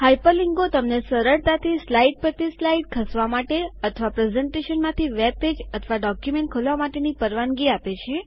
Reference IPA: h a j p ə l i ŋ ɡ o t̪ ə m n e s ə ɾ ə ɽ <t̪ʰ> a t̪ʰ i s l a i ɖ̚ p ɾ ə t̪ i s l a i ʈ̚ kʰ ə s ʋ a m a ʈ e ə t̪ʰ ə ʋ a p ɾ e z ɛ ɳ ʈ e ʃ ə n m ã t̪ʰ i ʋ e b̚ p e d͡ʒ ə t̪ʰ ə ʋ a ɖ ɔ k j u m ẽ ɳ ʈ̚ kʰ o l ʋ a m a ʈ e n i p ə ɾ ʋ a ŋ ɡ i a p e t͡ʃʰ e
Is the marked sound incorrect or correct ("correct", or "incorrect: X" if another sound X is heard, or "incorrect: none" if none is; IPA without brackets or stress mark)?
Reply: incorrect: t̪